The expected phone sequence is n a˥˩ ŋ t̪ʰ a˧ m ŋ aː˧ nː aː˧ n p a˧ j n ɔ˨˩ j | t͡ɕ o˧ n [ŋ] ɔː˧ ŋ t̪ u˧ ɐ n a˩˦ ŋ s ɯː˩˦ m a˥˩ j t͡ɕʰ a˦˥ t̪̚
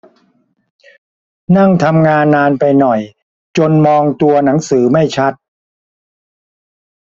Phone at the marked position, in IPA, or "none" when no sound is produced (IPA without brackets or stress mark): m